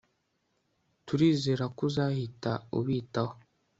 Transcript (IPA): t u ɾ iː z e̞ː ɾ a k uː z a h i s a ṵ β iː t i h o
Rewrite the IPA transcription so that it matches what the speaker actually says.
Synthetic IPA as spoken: t u ɾ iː z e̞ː ɾ a k u z a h i t a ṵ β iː t a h o